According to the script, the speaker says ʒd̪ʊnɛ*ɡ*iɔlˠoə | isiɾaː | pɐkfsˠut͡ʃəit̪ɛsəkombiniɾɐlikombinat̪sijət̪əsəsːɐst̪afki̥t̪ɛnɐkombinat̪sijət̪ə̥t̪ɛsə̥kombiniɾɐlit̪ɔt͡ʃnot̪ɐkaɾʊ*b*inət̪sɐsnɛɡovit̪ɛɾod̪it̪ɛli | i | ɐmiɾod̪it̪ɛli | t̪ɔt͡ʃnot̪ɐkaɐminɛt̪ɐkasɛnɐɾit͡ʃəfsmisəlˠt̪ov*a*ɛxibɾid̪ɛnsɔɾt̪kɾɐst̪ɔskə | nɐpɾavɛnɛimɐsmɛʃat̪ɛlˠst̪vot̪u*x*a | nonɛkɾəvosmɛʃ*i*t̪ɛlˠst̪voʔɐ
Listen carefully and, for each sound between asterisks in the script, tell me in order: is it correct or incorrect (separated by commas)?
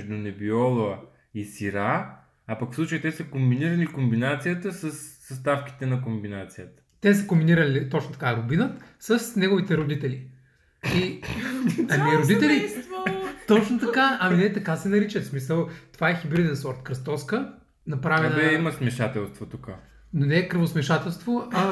incorrect, correct, correct, incorrect, incorrect